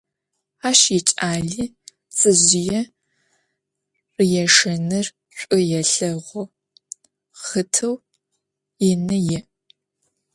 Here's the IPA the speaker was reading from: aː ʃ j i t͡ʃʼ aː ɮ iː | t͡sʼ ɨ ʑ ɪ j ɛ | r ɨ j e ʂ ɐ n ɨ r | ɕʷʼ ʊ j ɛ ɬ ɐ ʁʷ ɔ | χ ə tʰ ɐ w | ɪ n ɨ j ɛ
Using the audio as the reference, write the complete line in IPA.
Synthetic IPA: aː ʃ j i t͡ʃʼ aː ɮ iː | t͡sʼ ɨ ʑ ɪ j ɛ | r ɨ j ɛ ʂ ɐ n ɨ r | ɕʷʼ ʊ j ɛ ɬ ɐ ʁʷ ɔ | χ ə tʰ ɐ w | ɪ n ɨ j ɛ